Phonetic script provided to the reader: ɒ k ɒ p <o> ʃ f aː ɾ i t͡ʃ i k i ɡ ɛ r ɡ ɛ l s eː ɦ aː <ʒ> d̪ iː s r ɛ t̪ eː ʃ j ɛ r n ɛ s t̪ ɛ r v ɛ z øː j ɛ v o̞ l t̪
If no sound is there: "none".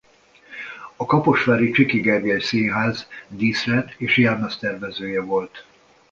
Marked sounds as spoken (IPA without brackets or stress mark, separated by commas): o, z